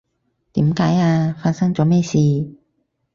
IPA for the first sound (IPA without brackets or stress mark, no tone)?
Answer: t̪